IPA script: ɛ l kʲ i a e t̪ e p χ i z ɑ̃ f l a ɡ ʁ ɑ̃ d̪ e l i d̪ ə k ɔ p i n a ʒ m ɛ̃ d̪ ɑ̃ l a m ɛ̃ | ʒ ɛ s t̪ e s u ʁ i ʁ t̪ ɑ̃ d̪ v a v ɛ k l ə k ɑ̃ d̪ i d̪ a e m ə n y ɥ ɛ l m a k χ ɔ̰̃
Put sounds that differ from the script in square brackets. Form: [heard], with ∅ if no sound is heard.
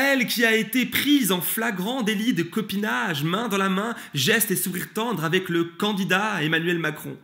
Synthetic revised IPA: ɛ l kʲ i a e t̪ e p χ i z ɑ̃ f l a ɡ ʁ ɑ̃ d̪ e l i d̪ ə k ɔ p i n a ʒ m ɛ̃ d̪ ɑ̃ l a m ɛ̃ | ʒ ɛ s t̪ e s u ʁ i ʁ t̪ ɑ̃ d̪ [ʁ] a v ɛ k l ə k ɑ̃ d̪ i d̪ a e m [a] n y ɥ ɛ l m a k χ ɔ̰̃